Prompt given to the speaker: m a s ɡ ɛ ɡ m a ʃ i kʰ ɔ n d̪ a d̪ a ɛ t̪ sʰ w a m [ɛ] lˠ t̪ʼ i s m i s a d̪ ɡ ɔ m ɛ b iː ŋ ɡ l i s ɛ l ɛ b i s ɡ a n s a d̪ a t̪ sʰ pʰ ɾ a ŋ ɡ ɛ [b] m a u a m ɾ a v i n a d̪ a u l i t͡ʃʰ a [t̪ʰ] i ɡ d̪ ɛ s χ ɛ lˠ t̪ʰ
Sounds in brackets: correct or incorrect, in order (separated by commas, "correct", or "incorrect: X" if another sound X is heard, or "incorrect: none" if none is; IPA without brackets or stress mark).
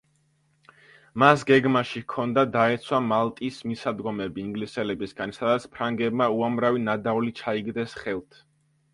incorrect: a, correct, incorrect: none